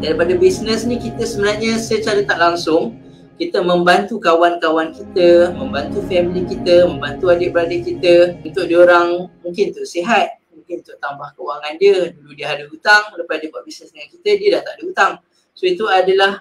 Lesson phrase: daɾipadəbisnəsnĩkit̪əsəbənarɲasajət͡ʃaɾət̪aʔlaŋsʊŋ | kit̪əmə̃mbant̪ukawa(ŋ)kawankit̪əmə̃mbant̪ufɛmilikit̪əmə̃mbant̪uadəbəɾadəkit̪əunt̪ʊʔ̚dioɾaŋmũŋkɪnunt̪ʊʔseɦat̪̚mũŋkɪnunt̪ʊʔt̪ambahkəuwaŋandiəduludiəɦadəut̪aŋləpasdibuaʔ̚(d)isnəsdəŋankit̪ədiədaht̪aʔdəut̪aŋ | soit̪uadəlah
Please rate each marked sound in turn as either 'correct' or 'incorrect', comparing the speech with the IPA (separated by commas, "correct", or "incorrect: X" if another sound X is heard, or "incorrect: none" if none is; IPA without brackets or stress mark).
incorrect: n, incorrect: b